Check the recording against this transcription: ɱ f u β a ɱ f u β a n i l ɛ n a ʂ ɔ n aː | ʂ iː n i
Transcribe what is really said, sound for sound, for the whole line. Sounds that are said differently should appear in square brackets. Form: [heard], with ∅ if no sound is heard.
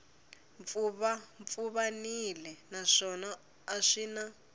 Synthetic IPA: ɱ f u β a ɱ f u β a n i l ɛ n a ʂ ɔ n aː | ʂ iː n [a]